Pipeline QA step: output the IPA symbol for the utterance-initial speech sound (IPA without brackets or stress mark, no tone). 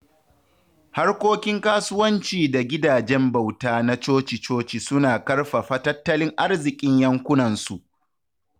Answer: h